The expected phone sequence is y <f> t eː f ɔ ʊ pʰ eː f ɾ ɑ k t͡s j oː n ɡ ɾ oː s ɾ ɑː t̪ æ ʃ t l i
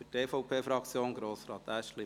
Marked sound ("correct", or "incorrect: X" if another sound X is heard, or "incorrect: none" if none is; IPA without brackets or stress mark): incorrect: none